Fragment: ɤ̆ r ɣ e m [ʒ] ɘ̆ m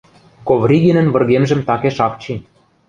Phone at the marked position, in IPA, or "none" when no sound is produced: ʒ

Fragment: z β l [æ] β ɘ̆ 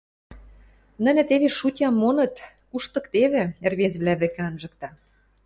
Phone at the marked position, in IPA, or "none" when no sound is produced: æ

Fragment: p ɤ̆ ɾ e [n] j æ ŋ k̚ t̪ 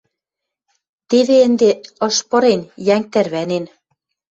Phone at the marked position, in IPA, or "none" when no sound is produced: n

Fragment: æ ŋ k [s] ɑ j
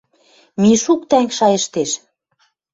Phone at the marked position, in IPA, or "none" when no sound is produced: ʃ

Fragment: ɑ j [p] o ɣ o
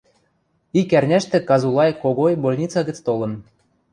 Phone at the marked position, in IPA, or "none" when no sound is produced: k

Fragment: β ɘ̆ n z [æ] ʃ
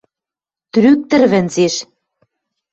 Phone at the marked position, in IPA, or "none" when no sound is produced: e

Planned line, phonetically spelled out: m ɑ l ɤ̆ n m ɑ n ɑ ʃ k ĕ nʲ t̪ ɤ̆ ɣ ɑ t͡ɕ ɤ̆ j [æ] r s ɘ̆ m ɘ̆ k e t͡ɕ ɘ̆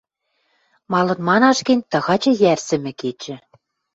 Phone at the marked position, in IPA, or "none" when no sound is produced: æ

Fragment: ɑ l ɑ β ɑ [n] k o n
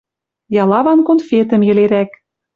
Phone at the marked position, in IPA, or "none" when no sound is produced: n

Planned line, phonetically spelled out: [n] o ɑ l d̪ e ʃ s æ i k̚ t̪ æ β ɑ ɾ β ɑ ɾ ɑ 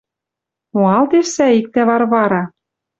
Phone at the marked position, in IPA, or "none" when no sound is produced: m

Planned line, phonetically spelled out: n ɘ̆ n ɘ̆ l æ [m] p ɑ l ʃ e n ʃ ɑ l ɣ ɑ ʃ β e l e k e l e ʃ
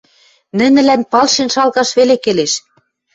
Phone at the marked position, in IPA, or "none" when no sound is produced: n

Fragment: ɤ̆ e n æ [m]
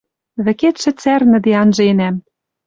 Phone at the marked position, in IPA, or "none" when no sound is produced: m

